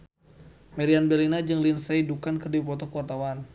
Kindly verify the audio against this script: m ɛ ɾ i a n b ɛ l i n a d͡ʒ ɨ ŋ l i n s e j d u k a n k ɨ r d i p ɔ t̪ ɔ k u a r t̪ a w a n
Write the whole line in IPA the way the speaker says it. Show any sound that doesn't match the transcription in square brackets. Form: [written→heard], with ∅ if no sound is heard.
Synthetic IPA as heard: m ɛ ɾ i a n b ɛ l i n a d͡ʒ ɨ ŋ l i n s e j d u k a n k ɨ r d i p ɔ t̪ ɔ k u a r t̪ a w a n